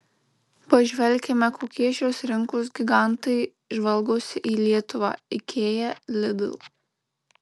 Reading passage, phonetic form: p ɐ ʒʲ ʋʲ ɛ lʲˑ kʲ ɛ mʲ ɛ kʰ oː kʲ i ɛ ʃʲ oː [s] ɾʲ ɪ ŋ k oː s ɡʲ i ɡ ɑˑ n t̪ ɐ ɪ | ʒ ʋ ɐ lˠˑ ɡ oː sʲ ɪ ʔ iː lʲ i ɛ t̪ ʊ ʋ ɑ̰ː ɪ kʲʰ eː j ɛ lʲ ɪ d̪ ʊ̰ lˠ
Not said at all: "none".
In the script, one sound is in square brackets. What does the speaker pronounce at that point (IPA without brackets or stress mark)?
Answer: s